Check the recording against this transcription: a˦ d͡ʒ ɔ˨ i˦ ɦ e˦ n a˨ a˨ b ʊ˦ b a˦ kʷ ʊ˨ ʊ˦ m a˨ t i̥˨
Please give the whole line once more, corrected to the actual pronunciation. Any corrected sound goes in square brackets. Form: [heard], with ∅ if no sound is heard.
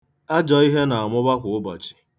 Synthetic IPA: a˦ d͡ʒ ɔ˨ i˦ ɦ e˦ n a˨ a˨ [m] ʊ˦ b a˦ kʷ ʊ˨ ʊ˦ [b] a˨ [t͡ʃ] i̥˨